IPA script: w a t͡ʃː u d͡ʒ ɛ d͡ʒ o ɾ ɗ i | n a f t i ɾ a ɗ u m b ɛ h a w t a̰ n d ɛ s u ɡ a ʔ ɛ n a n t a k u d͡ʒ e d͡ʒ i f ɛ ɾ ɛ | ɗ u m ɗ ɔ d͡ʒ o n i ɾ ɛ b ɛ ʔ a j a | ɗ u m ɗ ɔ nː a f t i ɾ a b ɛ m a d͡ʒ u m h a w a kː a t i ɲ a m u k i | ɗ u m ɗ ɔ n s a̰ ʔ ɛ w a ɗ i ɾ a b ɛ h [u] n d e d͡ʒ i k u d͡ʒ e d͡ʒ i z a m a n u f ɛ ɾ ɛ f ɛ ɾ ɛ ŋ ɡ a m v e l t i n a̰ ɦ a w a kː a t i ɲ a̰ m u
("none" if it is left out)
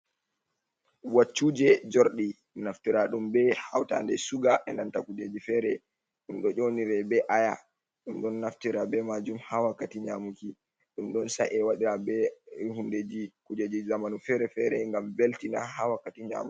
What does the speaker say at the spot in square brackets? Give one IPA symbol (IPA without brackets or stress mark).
u